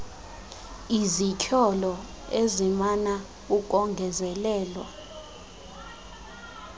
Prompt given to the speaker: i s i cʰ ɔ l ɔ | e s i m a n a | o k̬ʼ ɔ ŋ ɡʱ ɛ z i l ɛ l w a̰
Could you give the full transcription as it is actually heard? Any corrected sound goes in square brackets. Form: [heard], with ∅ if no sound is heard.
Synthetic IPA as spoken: i [z] i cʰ ɔ l ɔ | e [z] i m a n a | [u] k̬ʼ ɔ ŋ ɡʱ ɛ z [ɛ] l [ɛː] l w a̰